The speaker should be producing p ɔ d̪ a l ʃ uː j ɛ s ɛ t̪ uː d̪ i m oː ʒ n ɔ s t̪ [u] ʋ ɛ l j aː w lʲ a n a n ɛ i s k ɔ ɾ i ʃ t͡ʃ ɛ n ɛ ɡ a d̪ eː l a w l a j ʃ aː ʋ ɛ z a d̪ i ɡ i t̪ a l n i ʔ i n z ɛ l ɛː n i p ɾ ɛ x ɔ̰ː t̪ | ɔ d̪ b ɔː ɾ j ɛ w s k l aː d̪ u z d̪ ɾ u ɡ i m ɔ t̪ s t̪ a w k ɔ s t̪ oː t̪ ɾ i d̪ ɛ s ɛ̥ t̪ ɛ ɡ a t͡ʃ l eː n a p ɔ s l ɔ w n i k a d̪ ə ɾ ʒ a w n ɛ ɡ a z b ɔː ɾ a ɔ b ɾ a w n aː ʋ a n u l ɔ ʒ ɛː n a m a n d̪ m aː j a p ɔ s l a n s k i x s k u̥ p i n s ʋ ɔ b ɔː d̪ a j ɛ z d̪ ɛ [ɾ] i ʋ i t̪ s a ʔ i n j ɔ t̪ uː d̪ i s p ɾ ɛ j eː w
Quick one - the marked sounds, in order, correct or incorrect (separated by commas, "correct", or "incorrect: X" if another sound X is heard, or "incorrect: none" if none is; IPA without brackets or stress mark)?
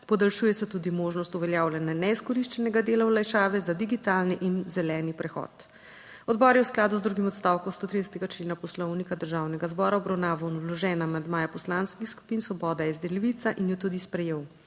correct, incorrect: l